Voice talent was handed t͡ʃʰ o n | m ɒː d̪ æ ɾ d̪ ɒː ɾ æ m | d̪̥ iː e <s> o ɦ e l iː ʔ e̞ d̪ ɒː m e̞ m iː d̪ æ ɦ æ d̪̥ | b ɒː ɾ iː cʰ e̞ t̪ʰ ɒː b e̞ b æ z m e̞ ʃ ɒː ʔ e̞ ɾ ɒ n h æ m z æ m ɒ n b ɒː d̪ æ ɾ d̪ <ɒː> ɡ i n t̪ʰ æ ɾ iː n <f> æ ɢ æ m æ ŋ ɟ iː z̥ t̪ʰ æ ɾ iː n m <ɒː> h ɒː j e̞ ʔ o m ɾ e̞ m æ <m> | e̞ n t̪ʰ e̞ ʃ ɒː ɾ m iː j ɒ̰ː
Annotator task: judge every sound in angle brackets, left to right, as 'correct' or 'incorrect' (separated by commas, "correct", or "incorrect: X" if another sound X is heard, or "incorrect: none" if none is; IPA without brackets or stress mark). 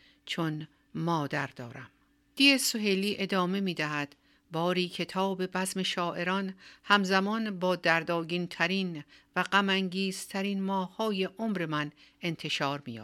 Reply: correct, correct, incorrect: v, correct, incorrect: n